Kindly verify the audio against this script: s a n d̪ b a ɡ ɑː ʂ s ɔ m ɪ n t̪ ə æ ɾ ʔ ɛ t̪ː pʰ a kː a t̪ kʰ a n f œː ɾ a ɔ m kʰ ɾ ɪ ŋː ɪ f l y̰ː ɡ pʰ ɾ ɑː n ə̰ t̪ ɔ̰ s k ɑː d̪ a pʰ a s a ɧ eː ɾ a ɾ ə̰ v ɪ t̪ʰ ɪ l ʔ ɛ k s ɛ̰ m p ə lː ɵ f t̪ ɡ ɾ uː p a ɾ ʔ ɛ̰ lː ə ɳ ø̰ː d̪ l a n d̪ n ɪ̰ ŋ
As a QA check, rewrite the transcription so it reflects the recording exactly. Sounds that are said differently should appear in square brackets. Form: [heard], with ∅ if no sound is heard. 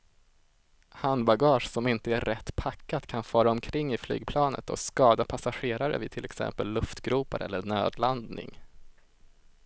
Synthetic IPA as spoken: [h] a n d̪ b a ɡ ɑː ʂ s ɔ m ɪ n t̪ ə æ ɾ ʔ ɛ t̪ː pʰ a kː a t̪ kʰ a n f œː ɾ a ɔ m kʰ ɾ ɪ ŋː ɪ f l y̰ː ɡ pʰ [l] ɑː n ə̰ t̪ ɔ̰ s k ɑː d̪ a pʰ a s a ɧ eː ɾ a ɾ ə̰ v ɪ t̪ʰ ɪ l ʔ ɛ k s ɛ̰ m p ə lː ɵ f t̪ ɡ ɾ uː p a ɾ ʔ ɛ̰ lː ə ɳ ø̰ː d̪ l a n d̪ n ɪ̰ ŋ